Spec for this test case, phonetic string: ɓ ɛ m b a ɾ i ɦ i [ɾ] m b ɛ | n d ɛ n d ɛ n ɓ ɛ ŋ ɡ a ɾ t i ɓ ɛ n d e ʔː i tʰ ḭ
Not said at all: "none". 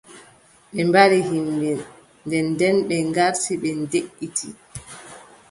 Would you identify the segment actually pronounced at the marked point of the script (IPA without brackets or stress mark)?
none